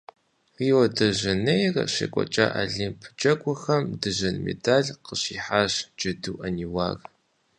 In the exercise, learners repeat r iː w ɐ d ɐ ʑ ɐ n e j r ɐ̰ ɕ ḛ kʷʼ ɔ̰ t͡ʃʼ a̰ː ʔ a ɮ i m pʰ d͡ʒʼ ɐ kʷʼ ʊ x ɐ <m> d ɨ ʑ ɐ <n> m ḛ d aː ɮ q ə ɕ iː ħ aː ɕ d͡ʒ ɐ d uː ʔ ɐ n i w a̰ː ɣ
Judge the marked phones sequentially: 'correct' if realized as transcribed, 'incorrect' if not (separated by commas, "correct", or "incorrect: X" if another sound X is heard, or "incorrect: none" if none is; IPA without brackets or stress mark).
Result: correct, correct